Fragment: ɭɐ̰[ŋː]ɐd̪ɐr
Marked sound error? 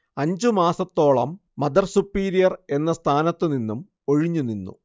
yes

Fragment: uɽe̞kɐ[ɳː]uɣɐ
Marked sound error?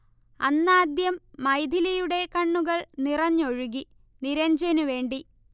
no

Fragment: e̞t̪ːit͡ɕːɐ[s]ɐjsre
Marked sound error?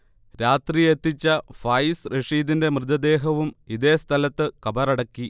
yes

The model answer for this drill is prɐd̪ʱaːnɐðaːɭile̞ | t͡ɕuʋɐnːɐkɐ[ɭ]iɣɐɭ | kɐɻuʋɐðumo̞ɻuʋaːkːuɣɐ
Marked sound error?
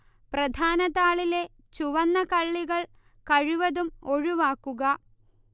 yes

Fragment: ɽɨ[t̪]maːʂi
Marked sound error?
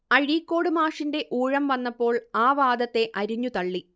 yes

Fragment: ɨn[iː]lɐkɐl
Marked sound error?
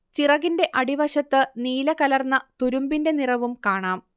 no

